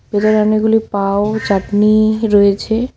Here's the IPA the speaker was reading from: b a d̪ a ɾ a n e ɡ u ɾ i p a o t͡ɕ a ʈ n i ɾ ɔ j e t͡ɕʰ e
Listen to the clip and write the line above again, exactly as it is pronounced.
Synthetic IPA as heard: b e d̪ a ɾ a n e ɡ u l i p a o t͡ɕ a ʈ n i ɾ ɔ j e t͡ɕʰ e